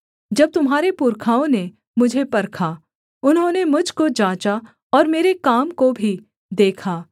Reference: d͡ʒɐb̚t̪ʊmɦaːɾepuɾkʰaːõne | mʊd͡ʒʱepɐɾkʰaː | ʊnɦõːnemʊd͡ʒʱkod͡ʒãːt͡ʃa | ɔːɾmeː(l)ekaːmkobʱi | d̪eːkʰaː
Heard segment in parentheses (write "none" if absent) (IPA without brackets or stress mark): ɾ